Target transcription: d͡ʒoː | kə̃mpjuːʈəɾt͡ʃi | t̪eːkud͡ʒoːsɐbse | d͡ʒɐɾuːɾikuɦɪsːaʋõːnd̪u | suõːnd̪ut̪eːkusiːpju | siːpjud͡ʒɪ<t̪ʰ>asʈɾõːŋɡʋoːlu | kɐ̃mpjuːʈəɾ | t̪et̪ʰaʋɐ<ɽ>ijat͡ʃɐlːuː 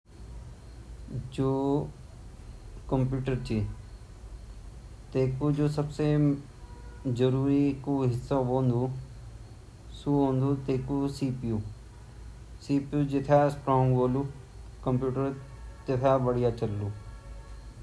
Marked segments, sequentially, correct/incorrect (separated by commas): correct, correct